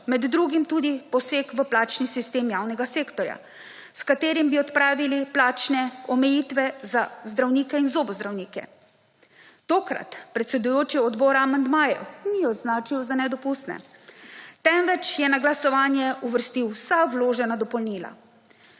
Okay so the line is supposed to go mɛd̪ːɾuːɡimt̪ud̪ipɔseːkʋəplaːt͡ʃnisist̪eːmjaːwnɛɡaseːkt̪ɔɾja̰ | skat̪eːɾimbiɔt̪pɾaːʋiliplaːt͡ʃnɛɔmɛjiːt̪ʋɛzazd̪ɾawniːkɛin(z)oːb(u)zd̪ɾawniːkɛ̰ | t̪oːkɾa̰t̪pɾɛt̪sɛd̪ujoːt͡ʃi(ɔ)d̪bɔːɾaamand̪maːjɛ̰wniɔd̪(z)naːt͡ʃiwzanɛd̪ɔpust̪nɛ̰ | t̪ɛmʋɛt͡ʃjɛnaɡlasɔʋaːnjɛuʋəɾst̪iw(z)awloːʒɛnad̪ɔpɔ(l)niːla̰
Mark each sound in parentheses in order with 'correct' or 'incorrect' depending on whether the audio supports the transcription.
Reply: correct, incorrect, correct, correct, incorrect, correct

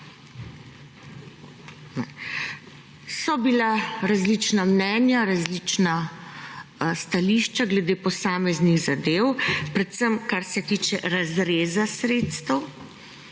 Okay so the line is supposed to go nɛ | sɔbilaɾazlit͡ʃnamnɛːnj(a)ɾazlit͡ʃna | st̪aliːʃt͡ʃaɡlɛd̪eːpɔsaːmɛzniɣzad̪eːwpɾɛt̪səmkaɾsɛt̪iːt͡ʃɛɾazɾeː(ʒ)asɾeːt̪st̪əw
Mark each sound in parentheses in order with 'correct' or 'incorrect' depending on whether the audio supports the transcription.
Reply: correct, incorrect

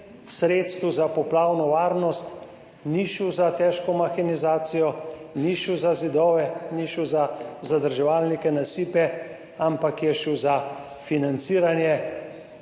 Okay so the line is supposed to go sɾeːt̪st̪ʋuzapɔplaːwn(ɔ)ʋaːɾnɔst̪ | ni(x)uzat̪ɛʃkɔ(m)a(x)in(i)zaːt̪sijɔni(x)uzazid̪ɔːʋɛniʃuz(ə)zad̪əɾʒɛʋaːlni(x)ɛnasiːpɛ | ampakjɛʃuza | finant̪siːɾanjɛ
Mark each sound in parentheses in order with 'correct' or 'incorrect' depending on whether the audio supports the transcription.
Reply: correct, incorrect, correct, correct, correct, incorrect, incorrect, incorrect

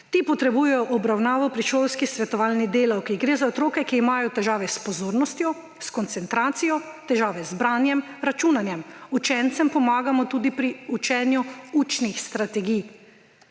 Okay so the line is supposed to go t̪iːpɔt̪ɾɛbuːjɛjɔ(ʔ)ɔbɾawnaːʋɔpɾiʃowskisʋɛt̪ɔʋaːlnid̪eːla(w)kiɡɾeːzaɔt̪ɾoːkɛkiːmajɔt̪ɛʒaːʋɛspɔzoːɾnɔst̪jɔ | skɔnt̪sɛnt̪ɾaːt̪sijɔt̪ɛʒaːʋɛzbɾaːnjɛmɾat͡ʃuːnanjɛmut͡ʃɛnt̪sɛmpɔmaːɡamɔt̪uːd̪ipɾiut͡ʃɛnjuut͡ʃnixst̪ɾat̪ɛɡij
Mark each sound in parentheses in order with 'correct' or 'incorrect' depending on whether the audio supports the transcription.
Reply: correct, correct

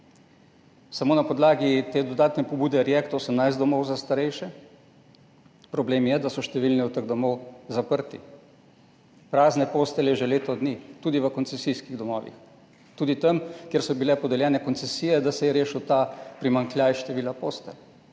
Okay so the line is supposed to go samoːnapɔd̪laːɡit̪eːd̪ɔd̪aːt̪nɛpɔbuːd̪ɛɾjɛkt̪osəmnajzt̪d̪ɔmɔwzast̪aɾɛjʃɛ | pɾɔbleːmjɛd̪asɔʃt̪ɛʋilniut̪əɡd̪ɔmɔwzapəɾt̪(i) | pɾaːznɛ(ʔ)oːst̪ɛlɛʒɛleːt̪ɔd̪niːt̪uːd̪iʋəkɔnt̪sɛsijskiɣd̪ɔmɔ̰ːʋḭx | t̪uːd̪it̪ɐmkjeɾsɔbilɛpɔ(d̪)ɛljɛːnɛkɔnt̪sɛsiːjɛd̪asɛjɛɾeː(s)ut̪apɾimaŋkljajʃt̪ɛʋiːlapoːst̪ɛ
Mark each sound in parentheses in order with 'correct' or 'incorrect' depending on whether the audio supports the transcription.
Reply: correct, incorrect, correct, incorrect

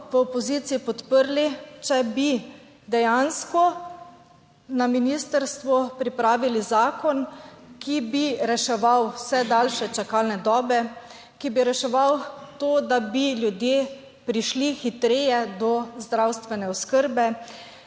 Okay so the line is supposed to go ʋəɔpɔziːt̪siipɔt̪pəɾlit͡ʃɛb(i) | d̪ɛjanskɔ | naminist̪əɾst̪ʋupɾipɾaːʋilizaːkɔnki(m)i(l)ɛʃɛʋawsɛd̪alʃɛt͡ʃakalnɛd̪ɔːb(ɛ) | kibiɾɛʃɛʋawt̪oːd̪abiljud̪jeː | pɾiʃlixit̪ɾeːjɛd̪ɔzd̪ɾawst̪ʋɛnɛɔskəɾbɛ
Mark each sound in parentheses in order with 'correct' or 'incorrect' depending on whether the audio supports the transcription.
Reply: correct, incorrect, incorrect, correct

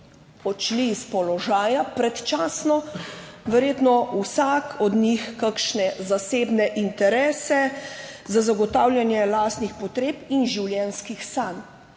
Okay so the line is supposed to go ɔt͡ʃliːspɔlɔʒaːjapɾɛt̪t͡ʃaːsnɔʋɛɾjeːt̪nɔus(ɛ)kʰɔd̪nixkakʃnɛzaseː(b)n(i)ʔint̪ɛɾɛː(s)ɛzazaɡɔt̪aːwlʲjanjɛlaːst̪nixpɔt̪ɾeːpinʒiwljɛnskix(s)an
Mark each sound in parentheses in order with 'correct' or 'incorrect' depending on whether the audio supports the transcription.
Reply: incorrect, correct, incorrect, correct, correct

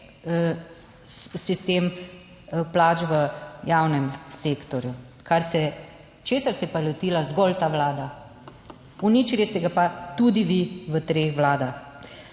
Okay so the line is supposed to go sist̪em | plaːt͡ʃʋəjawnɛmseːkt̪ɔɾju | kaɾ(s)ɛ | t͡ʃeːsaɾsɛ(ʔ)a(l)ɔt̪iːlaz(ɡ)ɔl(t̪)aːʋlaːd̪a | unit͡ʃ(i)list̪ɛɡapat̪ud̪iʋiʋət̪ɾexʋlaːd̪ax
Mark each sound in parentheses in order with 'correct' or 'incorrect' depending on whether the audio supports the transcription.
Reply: correct, incorrect, correct, correct, correct, correct

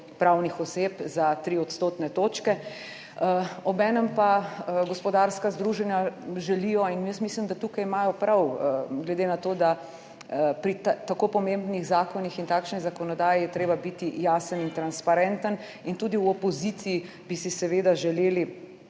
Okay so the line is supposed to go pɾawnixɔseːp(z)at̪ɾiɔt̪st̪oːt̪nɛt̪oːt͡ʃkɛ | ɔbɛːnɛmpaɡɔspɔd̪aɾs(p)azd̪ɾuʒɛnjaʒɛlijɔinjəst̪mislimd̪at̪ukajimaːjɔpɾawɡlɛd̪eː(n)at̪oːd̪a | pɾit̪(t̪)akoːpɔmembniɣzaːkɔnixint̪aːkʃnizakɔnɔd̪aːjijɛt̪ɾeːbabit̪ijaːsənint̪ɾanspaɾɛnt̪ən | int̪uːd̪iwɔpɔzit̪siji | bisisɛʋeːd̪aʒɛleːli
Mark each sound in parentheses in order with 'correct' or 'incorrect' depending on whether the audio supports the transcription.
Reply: correct, incorrect, correct, correct

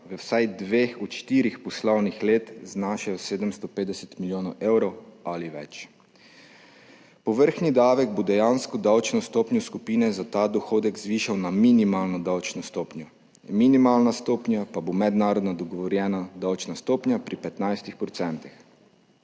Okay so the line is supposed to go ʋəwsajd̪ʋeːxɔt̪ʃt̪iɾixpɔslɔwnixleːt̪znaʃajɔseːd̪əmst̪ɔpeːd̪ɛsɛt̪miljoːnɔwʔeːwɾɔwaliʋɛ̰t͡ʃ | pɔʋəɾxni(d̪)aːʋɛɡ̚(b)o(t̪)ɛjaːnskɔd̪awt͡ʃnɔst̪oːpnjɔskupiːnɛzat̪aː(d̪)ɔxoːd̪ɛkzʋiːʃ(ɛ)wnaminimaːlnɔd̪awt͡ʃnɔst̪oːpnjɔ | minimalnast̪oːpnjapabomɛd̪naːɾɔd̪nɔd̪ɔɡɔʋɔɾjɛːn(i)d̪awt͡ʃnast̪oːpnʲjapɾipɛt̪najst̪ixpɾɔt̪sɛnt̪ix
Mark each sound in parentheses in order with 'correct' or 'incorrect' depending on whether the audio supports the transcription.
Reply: correct, correct, incorrect, correct, incorrect, incorrect

